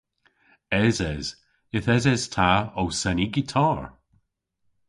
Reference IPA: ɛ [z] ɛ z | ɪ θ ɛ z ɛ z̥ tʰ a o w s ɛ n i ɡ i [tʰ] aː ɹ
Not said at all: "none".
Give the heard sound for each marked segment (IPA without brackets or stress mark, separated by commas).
z, tʰ